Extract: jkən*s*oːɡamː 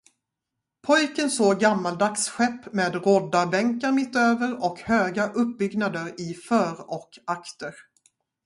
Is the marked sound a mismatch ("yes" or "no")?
no